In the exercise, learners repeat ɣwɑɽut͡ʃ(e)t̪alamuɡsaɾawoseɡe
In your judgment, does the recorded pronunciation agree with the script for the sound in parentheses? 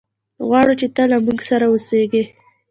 yes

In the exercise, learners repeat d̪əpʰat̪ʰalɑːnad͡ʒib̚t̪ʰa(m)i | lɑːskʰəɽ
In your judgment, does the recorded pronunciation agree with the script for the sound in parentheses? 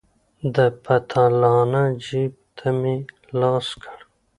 yes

